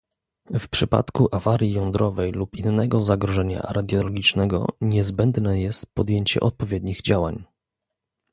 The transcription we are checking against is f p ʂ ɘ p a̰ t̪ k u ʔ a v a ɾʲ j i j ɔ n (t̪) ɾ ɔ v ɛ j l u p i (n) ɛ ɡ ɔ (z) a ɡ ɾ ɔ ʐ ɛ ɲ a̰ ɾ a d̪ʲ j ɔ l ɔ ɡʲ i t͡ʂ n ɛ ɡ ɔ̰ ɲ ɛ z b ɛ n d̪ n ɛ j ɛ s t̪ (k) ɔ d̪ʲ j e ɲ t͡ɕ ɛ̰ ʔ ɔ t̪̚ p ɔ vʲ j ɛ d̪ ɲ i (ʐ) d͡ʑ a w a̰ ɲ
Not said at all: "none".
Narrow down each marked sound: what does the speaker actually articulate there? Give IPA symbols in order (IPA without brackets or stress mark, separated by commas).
d̪, nː, z, p, ɣ